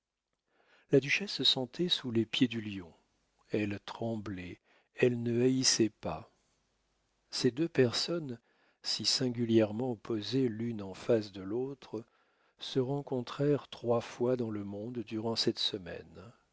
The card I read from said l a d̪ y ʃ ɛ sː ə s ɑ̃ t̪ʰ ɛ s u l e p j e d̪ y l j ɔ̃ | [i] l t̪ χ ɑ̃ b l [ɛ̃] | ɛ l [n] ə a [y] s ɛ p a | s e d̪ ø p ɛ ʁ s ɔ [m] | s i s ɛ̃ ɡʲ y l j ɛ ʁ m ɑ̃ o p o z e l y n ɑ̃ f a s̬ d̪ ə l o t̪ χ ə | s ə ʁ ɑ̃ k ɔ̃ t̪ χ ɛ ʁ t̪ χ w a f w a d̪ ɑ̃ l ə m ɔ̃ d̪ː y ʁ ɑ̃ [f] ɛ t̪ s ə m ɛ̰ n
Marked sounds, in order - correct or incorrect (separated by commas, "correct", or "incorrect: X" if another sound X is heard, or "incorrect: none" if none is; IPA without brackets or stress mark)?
incorrect: ɛ, incorrect: ɛ, correct, incorrect: i, incorrect: n, incorrect: s